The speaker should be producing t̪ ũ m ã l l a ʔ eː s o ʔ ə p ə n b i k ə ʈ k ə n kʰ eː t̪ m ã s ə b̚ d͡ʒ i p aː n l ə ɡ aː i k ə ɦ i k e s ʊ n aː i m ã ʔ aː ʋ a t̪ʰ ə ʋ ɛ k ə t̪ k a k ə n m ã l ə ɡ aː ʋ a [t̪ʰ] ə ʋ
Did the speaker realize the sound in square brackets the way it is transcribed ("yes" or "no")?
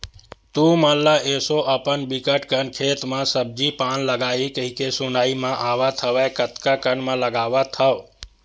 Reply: yes